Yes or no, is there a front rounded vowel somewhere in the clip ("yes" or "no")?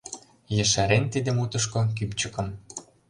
yes